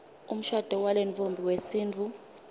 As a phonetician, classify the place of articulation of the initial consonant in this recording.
labial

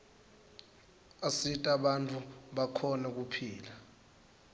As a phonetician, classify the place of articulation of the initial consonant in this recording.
alveolar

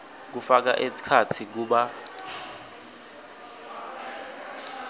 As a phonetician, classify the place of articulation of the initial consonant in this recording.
velar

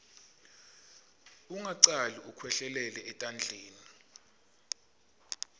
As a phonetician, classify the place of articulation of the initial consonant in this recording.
velar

